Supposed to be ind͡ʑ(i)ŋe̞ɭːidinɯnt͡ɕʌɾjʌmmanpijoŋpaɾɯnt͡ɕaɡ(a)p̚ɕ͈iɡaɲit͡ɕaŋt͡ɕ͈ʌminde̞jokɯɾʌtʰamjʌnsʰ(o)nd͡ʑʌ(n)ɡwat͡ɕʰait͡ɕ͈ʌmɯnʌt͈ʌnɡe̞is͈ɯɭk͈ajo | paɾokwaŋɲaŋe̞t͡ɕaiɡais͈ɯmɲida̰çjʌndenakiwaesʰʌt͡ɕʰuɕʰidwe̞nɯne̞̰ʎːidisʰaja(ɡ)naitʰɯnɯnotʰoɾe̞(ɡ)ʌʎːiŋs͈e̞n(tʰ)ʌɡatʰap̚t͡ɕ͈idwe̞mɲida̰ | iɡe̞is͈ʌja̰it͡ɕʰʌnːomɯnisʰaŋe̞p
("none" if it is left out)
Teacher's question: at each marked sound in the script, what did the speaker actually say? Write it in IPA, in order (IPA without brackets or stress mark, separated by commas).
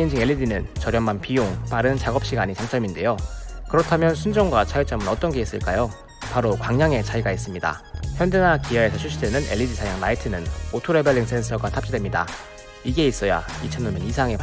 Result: i, ʌ, u, ŋ, ŋ, b, sʰ